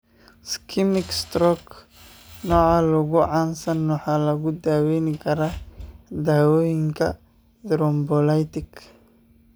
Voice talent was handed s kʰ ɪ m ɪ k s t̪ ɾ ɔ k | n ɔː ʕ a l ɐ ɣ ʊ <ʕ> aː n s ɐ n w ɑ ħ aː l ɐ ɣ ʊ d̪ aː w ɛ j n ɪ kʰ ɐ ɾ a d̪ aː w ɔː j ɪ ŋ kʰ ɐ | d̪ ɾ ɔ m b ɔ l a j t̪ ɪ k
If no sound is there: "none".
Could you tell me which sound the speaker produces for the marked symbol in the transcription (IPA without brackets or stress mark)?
ʕ